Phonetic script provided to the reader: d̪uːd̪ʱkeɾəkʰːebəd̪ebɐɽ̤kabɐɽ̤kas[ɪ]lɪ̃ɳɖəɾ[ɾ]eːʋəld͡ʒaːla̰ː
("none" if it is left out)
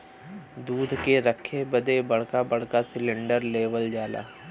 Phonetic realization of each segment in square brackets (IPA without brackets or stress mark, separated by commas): ɪ, l